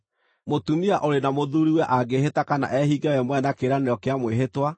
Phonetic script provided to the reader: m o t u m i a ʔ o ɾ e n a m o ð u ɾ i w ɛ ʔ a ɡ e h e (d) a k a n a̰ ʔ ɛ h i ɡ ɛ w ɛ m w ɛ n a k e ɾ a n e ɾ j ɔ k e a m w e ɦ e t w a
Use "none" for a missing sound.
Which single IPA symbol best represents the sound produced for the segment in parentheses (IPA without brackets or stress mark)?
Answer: t